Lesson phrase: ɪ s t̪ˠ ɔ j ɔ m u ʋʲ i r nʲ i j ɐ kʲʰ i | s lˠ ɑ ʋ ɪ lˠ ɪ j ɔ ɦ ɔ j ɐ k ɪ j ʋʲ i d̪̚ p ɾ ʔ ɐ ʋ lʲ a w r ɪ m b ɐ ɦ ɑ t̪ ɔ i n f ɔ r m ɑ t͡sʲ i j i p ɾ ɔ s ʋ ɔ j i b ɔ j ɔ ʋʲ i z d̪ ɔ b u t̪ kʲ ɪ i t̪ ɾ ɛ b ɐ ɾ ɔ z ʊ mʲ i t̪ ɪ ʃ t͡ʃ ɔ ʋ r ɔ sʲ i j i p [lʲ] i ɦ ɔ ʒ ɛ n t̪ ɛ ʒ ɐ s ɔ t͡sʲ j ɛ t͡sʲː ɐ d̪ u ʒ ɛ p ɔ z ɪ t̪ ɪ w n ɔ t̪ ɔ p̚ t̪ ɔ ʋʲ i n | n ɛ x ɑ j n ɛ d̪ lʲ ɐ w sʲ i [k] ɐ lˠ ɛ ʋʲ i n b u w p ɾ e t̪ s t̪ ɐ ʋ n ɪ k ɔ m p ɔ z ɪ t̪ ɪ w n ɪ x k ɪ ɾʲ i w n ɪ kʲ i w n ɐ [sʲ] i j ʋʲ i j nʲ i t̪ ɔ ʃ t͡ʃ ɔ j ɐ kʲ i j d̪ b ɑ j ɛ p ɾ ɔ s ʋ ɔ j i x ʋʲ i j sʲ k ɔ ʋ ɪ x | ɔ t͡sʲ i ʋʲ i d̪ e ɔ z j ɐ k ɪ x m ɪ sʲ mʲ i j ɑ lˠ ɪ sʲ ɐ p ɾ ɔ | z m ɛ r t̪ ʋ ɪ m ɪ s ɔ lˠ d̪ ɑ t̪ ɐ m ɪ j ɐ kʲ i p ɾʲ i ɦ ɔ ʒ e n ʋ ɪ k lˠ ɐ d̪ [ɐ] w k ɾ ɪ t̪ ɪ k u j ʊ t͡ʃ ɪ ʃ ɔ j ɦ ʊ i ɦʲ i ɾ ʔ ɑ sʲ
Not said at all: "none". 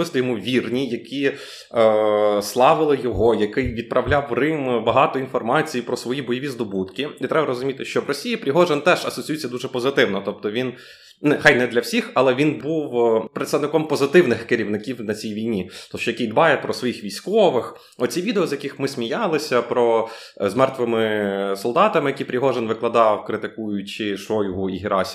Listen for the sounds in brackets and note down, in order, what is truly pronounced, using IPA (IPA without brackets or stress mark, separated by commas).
ɾʲ, x, t͡sʲ, ɑ